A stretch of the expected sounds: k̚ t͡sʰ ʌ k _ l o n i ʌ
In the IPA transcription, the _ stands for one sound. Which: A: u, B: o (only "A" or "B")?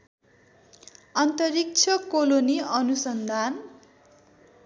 B